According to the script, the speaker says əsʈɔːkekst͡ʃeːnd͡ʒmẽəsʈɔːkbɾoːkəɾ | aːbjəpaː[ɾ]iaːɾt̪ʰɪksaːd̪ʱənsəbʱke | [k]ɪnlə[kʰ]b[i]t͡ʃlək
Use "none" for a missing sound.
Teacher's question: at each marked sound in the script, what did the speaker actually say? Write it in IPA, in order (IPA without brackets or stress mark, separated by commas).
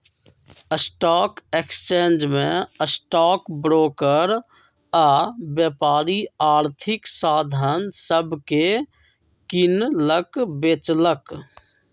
ɾ, k, k, e